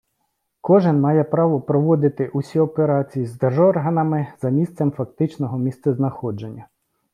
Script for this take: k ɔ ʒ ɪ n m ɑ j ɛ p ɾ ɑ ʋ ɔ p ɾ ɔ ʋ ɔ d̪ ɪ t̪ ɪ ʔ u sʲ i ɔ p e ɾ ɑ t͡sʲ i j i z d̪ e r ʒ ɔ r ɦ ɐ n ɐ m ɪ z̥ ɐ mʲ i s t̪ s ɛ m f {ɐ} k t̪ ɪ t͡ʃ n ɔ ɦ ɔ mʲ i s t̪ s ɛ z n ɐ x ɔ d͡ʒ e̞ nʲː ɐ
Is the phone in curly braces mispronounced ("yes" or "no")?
no